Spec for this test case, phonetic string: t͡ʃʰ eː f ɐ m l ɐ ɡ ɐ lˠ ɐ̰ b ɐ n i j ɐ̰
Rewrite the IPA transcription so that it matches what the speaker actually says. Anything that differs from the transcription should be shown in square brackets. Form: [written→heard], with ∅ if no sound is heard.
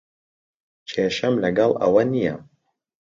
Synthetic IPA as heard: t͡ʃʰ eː [f→ʃ] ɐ m l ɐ ɡ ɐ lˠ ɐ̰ [b→w] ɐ n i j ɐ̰